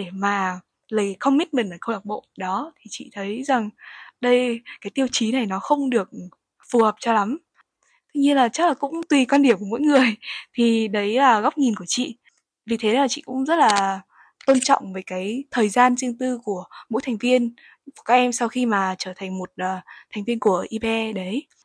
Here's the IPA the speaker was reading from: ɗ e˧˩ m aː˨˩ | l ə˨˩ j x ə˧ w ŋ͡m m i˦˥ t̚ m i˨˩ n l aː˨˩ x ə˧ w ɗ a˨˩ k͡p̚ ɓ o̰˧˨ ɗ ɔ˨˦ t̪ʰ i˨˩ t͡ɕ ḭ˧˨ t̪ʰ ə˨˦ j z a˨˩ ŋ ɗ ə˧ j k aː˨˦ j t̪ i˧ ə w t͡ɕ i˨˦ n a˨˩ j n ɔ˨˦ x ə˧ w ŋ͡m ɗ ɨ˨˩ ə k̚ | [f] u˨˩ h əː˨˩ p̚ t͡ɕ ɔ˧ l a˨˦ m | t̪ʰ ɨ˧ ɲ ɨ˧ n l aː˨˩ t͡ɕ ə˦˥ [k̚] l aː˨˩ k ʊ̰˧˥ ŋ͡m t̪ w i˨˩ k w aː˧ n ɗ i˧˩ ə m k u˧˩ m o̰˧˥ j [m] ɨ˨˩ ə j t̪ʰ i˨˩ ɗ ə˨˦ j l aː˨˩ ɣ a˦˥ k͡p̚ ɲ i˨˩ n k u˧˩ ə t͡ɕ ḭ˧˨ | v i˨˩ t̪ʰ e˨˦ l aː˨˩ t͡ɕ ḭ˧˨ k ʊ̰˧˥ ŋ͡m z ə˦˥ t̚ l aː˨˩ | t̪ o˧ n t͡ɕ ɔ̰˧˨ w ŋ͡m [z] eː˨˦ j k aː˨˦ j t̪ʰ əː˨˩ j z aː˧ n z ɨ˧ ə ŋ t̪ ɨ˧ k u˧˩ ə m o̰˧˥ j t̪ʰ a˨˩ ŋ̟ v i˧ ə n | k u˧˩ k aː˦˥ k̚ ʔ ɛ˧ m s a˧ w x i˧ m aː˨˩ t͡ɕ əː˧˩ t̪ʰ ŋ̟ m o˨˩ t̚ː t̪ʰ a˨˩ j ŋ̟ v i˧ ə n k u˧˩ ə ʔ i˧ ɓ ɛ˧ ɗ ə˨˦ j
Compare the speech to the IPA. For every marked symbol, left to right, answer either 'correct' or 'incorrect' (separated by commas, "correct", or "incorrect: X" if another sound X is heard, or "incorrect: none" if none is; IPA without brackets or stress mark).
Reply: correct, correct, incorrect: ŋ, incorrect: v